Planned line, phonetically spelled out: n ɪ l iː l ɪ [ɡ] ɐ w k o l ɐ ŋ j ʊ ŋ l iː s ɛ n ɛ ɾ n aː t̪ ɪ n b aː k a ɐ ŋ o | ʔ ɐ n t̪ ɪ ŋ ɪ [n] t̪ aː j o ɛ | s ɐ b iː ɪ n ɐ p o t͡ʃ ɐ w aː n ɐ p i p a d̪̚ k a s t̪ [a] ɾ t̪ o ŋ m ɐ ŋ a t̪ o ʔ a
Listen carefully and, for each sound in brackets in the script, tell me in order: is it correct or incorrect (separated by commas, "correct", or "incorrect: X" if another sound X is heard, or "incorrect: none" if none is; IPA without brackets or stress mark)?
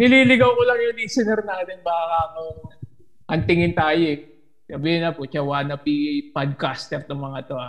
correct, correct, incorrect: ɛ